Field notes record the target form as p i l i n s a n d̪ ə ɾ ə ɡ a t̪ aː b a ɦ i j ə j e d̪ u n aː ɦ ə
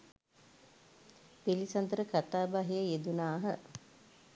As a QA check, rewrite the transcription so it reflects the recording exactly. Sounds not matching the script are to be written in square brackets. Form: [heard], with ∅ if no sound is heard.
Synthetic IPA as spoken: p i l i [∅] s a n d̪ ə ɾ ə [k] a t̪ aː b a ɦ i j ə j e d̪ u n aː ɦ ə